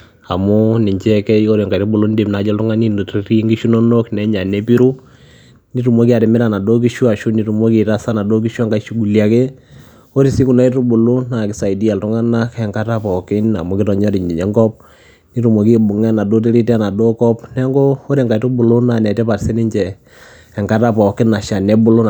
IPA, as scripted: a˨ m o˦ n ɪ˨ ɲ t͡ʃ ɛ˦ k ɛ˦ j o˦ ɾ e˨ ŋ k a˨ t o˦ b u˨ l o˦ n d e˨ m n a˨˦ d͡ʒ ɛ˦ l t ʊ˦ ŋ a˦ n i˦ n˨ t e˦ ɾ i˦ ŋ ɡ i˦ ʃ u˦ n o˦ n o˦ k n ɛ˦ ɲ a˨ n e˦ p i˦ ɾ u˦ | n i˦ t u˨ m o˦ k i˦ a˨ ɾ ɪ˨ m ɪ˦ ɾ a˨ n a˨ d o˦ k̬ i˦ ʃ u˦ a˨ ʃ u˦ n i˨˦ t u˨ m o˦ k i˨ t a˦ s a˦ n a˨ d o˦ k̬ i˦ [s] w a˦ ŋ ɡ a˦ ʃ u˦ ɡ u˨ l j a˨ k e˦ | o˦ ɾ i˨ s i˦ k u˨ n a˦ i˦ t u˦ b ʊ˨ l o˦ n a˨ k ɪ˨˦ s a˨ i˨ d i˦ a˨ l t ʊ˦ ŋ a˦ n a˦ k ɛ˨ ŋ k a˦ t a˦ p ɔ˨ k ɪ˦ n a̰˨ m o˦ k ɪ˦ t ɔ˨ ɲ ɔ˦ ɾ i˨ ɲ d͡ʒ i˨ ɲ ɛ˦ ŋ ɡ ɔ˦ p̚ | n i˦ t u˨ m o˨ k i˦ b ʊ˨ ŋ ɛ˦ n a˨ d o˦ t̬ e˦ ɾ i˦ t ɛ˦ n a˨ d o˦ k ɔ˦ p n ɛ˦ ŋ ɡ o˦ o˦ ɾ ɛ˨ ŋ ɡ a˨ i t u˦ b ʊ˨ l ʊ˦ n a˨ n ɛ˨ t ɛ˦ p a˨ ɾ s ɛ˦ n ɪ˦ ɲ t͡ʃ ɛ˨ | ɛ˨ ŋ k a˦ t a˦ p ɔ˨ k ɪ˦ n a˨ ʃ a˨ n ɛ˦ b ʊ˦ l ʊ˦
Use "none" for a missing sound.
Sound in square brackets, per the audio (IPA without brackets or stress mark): ʃ